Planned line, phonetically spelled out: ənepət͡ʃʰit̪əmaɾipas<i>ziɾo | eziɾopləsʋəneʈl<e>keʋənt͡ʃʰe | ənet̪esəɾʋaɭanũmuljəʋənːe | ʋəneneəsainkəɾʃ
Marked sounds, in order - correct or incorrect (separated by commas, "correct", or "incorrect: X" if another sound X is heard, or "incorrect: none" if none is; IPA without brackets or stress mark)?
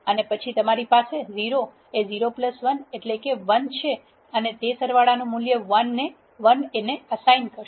incorrect: e, correct